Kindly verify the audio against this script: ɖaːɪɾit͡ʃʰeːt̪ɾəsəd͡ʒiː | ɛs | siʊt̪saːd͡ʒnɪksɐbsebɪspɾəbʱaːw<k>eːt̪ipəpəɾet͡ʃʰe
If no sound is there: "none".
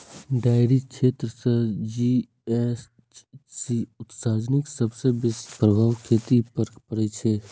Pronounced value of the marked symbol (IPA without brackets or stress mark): kʰ